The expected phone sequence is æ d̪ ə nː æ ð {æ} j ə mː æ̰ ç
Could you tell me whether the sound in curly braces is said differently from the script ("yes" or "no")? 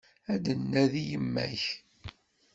yes